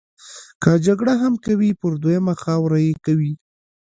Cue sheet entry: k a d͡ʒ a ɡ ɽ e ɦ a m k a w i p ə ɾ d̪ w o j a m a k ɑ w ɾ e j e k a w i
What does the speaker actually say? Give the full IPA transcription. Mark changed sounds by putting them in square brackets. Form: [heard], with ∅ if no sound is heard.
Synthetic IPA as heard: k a d͡ʒ a ɡ ɽ [a] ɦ a m k a w i p ə ɾ d̪ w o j a m a [x] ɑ w ɾ [a] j e k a w i

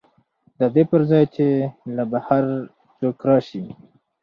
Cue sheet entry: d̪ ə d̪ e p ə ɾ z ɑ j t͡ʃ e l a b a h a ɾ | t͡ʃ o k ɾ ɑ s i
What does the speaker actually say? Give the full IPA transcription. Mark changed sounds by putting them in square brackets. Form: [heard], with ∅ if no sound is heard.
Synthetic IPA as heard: d̪ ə d̪ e p ə ɾ z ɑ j t͡ʃ e l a b a h a ɾ | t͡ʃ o k ɾ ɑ [ʃ] i

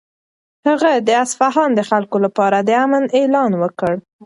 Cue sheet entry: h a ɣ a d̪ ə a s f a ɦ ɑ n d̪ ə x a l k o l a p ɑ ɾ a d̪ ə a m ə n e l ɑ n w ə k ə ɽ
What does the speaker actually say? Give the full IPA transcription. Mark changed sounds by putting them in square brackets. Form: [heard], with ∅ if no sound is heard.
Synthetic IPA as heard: h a ɣ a d̪ ə a s f a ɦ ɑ n d̪ ə x a l k o l a p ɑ ɾ a d̪ ə a m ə n e l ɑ n w ə k ə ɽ

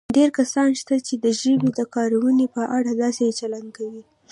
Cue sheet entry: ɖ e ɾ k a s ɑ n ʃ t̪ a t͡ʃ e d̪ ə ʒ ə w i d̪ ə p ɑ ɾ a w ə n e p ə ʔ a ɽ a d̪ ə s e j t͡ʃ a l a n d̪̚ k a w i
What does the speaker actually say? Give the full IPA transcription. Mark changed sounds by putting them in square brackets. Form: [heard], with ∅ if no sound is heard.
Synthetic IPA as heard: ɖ e ɾ k a s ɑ n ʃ t̪ a t͡ʃ e d̪ ə ʒ ə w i d̪ ə [k] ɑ ɾ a w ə n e p ə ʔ a ɽ a d̪ [ɑ] s e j t͡ʃ a l a n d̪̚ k a w i

